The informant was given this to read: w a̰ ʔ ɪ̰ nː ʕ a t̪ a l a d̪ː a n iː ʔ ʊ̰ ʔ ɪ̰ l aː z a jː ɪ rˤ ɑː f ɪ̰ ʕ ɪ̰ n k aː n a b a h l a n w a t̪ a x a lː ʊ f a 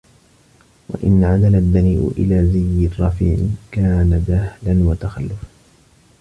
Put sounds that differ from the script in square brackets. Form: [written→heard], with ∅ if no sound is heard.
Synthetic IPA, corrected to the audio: w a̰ ʔ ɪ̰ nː ʕ a [t̪→d̪] a l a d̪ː a n iː ʔ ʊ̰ ʔ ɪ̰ l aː z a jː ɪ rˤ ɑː f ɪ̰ ʕ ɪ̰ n k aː n a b a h l a n w a t̪ a x a lː ʊ f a